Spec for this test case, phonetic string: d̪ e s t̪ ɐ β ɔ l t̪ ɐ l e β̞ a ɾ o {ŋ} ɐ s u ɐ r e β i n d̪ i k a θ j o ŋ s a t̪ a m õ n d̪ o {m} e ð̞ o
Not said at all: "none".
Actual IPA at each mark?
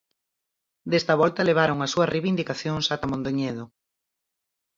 ŋ, ɲ

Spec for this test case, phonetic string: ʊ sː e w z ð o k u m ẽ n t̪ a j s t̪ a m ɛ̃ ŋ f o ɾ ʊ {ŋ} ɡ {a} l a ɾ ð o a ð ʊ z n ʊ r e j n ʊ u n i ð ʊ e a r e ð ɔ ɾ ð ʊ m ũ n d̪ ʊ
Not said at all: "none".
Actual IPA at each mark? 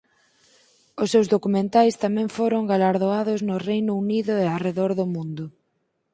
ŋ, a

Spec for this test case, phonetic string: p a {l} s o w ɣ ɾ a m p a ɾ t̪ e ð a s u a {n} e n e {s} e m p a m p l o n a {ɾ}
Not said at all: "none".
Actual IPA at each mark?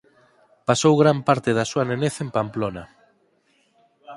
none, n, θ, none

